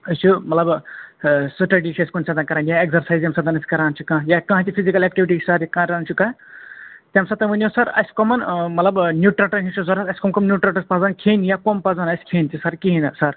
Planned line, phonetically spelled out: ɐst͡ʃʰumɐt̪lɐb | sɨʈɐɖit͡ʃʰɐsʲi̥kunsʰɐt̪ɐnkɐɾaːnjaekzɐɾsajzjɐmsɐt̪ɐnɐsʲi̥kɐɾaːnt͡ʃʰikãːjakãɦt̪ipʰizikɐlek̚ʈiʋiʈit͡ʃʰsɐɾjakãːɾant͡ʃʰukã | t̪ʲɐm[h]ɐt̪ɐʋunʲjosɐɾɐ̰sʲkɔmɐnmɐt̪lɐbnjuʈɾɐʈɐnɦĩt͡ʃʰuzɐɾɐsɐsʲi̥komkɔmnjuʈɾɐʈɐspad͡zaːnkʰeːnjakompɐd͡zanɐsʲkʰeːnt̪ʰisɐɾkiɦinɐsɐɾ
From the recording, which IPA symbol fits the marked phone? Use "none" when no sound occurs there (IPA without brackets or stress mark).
s